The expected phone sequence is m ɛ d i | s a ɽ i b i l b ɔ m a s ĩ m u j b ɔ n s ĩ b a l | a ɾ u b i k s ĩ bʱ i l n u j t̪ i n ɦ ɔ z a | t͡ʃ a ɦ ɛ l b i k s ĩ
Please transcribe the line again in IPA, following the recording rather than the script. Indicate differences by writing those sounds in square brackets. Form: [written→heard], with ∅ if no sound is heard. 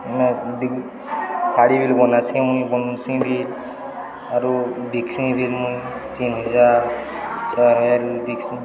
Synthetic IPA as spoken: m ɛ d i | s a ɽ i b i l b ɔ [m→n] a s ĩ m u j b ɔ n s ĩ b [a→i] l | a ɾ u b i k s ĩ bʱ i l [n→m] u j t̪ i n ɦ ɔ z a | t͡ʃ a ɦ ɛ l b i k s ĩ